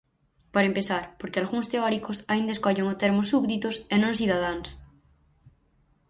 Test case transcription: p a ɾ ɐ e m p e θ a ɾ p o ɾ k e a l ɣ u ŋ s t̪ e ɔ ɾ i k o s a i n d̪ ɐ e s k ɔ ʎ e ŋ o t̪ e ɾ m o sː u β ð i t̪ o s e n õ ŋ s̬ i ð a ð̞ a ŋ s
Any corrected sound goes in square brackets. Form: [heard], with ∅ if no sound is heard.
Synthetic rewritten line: p a ɾ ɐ e m p e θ a ɾ p o ɾ k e a l ɣ u ŋ s t̪ e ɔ ɾ i k o s a i n d̪ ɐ e s k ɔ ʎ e ŋ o t̪ e ɾ m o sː u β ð i t̪ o s e n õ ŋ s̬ i ð a ð̞ a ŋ s